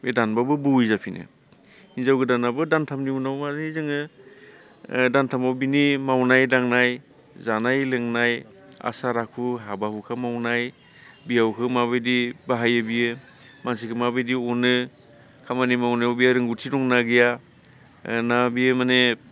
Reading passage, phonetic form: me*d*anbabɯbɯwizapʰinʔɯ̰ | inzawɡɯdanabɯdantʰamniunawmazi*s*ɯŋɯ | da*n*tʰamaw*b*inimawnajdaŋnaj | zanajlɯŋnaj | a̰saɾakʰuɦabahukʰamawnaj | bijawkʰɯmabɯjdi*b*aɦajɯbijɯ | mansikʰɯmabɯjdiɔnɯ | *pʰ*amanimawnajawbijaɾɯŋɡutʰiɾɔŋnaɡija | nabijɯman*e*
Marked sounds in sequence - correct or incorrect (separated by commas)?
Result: correct, incorrect, correct, correct, correct, incorrect, correct